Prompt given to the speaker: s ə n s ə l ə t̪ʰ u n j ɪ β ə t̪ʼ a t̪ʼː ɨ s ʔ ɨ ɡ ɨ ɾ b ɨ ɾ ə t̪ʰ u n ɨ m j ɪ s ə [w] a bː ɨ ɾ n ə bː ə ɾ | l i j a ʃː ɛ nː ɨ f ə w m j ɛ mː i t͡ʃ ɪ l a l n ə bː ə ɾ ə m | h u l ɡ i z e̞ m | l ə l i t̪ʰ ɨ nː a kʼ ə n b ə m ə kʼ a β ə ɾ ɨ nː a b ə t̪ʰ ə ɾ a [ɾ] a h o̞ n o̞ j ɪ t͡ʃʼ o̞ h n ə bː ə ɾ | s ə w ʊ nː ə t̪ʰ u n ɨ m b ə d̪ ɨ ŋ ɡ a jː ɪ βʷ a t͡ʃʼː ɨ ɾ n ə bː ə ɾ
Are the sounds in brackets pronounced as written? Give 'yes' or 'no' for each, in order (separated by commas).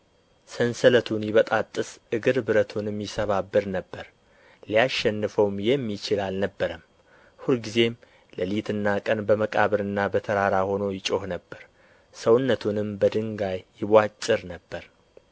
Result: no, yes